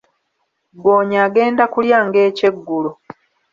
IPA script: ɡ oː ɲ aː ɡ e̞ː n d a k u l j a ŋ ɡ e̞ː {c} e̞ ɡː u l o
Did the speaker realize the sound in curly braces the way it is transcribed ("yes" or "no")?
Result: yes